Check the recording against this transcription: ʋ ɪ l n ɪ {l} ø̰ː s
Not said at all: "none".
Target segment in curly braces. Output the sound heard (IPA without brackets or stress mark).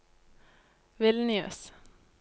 none